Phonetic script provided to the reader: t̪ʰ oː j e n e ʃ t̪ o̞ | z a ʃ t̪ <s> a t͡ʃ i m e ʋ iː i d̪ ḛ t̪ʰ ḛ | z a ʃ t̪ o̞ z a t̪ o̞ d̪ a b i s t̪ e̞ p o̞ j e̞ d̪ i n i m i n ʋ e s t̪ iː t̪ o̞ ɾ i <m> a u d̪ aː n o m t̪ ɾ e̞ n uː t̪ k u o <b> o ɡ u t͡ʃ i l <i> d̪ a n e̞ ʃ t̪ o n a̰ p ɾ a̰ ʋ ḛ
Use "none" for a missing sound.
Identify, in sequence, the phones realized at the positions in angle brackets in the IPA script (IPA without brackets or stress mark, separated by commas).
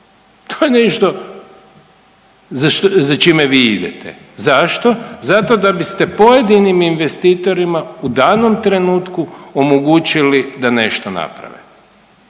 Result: z, m, m, i